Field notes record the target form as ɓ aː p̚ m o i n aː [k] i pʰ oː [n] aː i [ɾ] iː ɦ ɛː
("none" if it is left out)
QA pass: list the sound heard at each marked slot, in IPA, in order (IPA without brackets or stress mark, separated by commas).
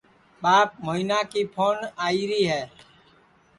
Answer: k, n, ɾ